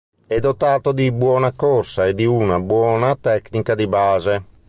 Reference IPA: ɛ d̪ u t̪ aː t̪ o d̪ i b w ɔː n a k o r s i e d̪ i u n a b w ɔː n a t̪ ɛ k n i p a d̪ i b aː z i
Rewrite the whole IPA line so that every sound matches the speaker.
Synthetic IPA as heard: ɛ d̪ o t̪ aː t̪ o d̪ i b w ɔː n a k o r s a e d̪ i u n a b w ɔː n a t̪ ɛ k n i k a d̪ i b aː z e